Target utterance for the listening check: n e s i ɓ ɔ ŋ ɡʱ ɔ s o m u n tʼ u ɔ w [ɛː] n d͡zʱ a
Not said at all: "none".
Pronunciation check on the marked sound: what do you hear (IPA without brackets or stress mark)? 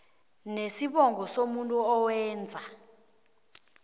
ɛː